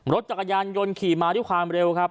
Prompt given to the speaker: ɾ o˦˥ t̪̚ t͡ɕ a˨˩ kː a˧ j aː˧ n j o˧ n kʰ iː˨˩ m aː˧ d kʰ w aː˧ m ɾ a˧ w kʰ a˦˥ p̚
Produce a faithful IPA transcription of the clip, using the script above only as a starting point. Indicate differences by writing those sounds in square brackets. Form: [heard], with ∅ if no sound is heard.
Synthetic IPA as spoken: ɾ o˦˥ t̪̚ t͡ɕ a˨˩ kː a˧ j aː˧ n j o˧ n kʰ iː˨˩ m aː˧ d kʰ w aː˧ m ɾ [e˧] w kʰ a˦˥ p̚

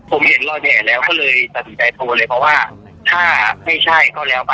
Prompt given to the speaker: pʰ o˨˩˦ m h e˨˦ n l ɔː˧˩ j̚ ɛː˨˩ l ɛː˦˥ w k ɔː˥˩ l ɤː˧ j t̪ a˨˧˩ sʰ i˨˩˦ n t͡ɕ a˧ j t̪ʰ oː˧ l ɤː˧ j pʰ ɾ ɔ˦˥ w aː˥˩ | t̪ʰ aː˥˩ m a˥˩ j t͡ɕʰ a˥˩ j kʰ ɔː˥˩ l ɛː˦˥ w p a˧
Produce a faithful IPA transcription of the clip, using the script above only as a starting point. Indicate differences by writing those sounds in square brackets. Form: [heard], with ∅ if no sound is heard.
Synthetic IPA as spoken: pʰ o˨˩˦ m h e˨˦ n l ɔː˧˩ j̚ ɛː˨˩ l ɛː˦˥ w k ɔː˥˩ l ɤː˧ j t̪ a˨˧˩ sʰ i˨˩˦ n t͡ɕ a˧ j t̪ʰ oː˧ l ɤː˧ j pʰ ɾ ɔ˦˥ w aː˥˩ | t̪ʰ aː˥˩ m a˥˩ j t͡ɕʰ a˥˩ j [k] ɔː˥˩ l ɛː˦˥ w p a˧

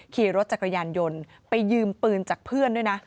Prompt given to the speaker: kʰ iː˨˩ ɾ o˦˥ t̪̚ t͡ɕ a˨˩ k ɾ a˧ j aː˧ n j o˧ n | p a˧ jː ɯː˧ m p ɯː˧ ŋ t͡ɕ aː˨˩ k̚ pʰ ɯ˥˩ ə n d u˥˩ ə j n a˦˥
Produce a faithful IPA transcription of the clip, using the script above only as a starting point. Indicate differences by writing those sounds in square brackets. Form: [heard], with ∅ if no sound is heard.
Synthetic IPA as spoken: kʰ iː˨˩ ɾ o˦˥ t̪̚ t͡ɕ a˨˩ k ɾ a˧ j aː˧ n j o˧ n | p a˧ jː ɯː˧ m p ɯː˧ [n] t͡ɕ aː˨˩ k̚ pʰ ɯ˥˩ ə n d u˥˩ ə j n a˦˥

